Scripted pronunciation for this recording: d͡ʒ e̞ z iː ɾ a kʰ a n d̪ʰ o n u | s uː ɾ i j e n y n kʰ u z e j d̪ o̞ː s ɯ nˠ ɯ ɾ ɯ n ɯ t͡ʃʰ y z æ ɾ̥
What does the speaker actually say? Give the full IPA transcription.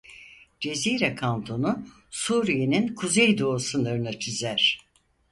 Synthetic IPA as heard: d͡ʒ e̞ z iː ɾ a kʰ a n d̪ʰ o n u | s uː ɾ i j e n i n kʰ u z e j d̪ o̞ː s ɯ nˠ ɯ ɾ ɯ n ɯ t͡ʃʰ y z æ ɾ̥